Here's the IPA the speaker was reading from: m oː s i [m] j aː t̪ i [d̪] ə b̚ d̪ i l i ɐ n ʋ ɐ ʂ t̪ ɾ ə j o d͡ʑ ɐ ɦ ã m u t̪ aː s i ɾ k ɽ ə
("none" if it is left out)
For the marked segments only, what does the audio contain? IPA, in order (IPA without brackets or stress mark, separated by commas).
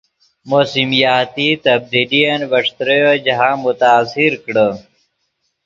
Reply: m, t̪